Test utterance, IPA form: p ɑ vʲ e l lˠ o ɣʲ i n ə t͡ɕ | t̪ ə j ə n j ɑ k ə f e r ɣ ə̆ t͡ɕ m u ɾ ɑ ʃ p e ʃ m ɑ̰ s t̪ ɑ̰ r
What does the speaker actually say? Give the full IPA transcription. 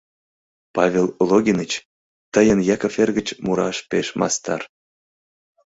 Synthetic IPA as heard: p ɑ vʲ e l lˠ o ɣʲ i n ə t͡ɕ | t̪ ə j ə n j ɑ k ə f e r ɣ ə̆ t͡ɕ m u ɾ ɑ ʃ p e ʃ m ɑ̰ s t̪ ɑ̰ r